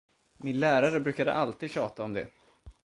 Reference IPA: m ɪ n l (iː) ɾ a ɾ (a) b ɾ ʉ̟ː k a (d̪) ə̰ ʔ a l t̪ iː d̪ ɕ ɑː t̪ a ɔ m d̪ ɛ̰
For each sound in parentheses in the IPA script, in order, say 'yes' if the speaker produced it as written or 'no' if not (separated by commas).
no, no, yes